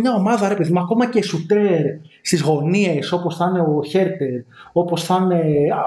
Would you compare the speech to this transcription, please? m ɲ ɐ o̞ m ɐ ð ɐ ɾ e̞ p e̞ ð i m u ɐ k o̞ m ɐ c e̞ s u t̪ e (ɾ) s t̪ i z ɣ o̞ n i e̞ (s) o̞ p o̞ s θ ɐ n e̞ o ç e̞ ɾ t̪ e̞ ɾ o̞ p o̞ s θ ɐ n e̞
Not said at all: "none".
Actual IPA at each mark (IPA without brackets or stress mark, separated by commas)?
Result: ɾ, s